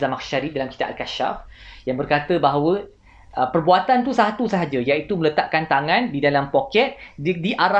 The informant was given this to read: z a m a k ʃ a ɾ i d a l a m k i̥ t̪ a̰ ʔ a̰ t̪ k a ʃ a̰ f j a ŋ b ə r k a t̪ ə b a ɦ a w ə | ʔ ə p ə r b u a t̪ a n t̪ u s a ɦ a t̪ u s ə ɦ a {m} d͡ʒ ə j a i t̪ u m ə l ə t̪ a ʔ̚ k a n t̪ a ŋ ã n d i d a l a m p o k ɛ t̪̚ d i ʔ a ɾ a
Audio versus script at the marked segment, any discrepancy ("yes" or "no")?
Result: yes